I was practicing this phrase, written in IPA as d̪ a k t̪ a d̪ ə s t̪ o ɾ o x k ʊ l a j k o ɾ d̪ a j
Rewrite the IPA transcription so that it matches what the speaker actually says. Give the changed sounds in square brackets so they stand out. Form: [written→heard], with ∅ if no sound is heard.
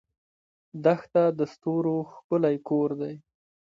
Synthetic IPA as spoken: d̪ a [k→x] t̪ a d̪ ə s t̪ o ɾ o x k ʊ l a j k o ɾ d̪ a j